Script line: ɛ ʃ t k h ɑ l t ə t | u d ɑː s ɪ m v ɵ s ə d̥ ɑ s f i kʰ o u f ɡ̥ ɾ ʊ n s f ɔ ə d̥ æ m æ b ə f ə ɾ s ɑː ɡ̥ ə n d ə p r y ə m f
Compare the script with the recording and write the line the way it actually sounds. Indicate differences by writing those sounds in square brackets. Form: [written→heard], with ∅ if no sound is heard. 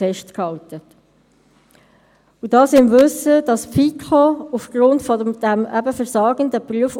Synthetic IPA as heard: ɛ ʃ t k h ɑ l t ə t | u d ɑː s ɪ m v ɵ s ə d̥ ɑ s f i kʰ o u f ɡ̥ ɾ ʊ n [s→t] f ɔ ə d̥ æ m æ b ə f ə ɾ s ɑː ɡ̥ ə n d ə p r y ə [m→∅] f